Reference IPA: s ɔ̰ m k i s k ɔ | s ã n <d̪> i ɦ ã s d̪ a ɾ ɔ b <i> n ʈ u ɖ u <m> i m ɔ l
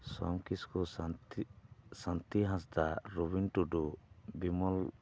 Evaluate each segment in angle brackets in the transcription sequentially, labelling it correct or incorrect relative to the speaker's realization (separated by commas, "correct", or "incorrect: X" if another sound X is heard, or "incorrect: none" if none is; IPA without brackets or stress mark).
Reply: incorrect: t̪, correct, incorrect: b